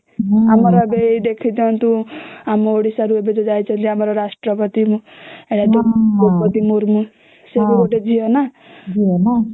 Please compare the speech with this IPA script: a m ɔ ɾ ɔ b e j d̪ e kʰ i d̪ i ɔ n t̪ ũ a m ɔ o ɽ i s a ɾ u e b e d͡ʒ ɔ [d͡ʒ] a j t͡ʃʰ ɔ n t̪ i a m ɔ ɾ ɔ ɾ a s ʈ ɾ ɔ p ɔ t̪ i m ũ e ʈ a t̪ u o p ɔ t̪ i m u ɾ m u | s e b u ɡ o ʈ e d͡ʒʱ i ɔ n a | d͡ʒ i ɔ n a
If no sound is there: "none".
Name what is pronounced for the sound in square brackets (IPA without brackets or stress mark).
d͡ʒ